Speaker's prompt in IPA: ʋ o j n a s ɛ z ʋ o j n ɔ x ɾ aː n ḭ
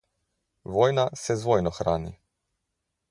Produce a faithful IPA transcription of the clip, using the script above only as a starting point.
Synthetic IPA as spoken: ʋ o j n a s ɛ z ʋ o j n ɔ x ɾ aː n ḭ